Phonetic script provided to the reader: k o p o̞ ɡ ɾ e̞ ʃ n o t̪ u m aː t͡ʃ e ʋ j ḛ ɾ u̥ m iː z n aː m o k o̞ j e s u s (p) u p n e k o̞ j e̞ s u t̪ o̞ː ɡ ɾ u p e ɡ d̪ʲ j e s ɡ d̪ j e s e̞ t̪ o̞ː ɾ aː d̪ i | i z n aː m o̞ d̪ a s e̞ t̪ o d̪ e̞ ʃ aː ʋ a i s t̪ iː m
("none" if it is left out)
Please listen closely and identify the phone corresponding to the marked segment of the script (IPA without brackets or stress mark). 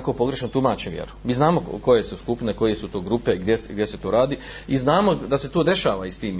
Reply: k